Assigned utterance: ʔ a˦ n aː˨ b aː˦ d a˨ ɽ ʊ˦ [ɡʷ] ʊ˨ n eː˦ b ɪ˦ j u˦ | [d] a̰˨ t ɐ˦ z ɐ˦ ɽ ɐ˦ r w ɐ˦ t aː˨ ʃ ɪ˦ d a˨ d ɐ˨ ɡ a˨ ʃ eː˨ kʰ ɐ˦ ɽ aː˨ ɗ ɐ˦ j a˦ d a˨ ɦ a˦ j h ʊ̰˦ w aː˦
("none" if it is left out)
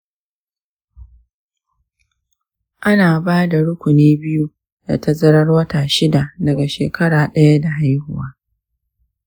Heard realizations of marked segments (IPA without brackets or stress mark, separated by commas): kʷ, d